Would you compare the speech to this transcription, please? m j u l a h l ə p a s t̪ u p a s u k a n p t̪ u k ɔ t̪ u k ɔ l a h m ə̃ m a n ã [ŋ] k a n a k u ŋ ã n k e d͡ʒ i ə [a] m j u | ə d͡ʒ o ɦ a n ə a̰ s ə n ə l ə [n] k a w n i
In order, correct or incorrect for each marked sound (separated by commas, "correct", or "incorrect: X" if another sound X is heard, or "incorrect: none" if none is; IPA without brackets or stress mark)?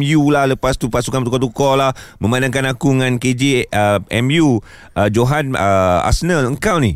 correct, incorrect: ɛ, incorrect: ŋ